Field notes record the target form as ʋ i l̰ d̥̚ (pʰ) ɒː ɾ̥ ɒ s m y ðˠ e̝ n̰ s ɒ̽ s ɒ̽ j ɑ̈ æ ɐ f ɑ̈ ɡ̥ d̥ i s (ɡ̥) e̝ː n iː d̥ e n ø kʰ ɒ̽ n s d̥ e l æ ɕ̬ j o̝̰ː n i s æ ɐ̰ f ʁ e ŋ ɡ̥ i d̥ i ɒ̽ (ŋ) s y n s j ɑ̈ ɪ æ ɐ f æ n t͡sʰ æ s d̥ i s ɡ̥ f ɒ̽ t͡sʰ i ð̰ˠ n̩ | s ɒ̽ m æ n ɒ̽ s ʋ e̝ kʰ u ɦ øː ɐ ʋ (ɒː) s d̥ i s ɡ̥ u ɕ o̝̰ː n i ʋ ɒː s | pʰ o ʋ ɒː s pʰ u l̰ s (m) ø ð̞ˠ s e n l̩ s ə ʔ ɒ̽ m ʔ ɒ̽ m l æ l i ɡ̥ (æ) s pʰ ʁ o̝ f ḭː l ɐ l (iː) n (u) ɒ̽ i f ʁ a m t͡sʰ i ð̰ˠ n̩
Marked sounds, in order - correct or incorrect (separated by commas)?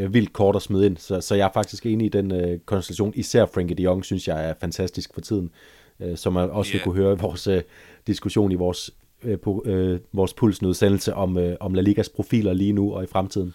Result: incorrect, correct, correct, correct, incorrect, correct, correct, correct